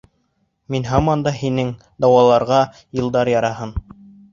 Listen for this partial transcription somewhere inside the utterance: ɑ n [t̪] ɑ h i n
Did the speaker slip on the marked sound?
yes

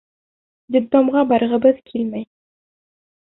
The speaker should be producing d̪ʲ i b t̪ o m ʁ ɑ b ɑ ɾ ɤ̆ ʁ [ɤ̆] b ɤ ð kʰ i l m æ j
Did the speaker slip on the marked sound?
no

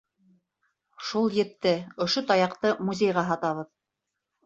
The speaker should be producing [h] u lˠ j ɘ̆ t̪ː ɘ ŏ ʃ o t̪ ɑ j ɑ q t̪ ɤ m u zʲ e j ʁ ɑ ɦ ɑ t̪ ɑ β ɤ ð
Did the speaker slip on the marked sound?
yes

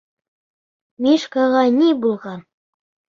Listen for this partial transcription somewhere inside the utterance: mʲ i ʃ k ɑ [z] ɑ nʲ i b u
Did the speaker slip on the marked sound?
yes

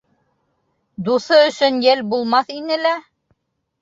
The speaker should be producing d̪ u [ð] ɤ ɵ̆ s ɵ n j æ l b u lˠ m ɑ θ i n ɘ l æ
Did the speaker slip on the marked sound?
yes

